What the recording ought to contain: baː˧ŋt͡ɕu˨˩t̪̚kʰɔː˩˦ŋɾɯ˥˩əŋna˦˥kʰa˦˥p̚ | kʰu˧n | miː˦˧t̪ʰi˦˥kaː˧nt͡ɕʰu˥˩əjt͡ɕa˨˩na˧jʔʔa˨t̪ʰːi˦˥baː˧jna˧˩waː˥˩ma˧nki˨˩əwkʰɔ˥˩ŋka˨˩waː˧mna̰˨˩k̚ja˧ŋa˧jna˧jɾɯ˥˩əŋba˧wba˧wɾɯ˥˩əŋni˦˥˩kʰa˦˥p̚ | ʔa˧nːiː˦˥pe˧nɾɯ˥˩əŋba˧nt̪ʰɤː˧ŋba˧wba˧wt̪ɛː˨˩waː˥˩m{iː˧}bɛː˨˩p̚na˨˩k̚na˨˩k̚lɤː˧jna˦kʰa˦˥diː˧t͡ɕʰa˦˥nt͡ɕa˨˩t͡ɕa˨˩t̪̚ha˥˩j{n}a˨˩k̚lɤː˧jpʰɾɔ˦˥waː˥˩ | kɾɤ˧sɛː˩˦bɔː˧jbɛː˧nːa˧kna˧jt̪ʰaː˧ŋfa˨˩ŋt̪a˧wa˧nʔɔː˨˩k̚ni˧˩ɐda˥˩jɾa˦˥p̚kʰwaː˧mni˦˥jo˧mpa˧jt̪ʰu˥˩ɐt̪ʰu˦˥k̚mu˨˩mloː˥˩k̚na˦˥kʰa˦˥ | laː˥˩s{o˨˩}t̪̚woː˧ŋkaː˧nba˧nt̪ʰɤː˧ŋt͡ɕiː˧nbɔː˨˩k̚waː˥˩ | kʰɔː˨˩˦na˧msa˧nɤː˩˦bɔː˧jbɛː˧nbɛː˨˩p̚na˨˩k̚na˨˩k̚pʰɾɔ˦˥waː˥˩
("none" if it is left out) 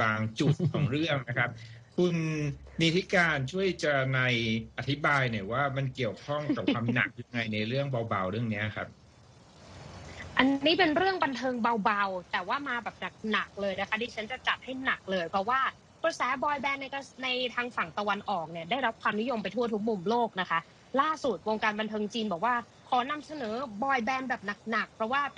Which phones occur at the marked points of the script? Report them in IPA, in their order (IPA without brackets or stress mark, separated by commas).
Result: aː˧, n, u˨˩